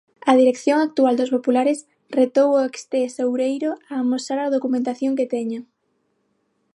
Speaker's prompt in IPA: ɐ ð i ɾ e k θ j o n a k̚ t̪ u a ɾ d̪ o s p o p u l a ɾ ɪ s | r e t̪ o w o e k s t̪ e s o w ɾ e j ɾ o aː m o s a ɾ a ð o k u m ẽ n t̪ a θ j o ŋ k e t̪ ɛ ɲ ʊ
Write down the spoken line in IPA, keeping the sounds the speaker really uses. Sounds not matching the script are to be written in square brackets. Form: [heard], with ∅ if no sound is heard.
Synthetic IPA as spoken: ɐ ð i ɾ e k θ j o [ŋ] a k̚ t̪ u a [l] d̪ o s p o p u l a ɾ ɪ s | r e t̪ o w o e k s t̪ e s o w ɾ e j ɾ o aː m o s a ɾ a ð o k u m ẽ n t̪ a θ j o ŋ k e t̪ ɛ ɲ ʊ